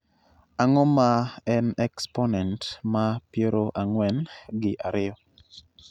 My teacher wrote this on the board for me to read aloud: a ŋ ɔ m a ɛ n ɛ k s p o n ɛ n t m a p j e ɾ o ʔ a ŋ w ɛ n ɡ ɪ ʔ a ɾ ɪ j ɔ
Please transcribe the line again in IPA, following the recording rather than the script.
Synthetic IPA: a ŋ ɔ m a ɛ n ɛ k s p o n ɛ n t m a p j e ɾ o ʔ a ŋ w ɛ n ɡ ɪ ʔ a ɾ ɪ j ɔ